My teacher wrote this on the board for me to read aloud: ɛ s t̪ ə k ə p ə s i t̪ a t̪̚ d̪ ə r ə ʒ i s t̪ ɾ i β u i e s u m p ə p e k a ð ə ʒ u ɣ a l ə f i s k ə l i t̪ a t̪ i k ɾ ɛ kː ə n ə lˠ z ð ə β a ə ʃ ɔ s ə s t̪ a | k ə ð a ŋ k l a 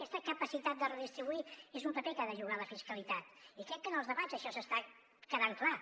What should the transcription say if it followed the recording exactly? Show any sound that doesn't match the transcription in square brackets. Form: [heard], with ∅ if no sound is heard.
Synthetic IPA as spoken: ɛ s t̪ ə k ə p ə s i t̪ a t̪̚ d̪ ə r ə [ð] i s t̪ ɾ i β u i e [z] u m p ə p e k a ð ə ʒ u ɣ a l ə f i s k ə l i t̪ a t̪ i k ɾ ɛ kː ə n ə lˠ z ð ə β a ə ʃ ɔ s ə s t̪ a | k ə ð a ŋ k l a